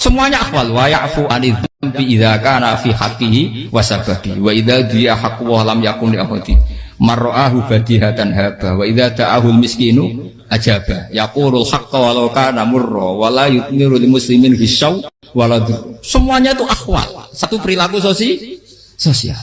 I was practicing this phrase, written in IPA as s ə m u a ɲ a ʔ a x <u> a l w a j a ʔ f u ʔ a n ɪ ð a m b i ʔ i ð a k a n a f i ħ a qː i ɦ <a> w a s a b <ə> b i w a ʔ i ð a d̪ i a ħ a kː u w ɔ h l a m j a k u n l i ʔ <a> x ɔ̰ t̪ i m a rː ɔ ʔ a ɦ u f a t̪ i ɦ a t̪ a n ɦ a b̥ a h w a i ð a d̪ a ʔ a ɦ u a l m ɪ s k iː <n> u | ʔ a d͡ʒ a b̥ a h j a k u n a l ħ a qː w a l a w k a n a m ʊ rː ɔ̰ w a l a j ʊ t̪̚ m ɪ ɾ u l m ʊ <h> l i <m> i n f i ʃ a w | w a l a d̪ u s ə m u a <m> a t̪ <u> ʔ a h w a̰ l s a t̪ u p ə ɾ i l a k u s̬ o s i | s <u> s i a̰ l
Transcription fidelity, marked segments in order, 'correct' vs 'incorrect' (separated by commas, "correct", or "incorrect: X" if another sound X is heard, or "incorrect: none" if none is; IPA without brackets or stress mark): incorrect: w, incorrect: i, incorrect: a, correct, correct, incorrect: s, correct, incorrect: ɲ, correct, incorrect: o